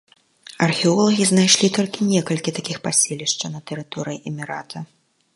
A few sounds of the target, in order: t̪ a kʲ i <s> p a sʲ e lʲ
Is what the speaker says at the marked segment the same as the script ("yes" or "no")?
no